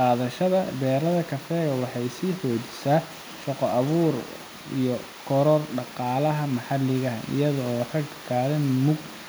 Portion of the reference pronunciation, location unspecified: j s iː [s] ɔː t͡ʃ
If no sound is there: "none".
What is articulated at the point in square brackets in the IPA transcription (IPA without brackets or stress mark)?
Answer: ħ